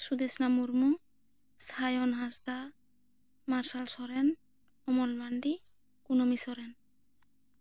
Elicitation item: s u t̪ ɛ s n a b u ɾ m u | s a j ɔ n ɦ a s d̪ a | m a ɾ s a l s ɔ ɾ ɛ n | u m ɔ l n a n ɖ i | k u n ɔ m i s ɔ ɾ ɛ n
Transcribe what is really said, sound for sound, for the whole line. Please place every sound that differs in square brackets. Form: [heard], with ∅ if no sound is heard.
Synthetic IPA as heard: s u [d̪] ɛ s n a [m] u ɾ m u | s a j ɔ n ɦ a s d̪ a | m a ɾ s a l s ɔ ɾ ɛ n | [ɔ] m ɔ l [m] a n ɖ i | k u n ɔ m i s ɔ ɾ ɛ n